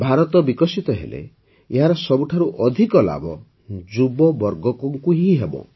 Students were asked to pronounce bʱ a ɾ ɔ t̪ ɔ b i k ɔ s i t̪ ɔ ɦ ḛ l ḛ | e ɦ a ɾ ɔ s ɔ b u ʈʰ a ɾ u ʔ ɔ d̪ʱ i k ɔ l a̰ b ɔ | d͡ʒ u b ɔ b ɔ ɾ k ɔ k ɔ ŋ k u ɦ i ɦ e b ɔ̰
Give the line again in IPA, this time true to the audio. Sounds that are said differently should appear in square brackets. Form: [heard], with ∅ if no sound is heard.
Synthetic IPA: bʱ a ɾ ɔ t̪ ɔ b i k ɔ s i t̪ ɔ ɦ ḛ l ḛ | e ɦ a ɾ ɔ s ɔ b u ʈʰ a ɾ u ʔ ɔ d̪ʱ i k ɔ l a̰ b ɔ | d͡ʒ u b ɔ b ɔ ɾ [ɡ] ɔ k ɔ ŋ k u ɦ i ɦ e b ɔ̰